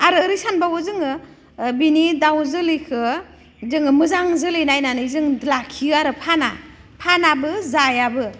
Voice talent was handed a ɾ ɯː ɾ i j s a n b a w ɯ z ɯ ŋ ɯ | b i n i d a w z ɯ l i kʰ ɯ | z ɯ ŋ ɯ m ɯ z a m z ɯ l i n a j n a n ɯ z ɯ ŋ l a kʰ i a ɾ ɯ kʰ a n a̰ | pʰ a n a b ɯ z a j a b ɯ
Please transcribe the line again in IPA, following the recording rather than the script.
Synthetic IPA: a ɾ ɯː ɾ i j s a n b a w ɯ z ɯ ŋ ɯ | b i n i d a w z ɯ l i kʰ ɯ | z ɯ ŋ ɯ m ɯ z a ŋ z ɯ l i n a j n a n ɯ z ɯ ŋ l a kʰ i a ɾ ɯ pʰ a n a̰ | pʰ a n a b ɯ z a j a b ɯ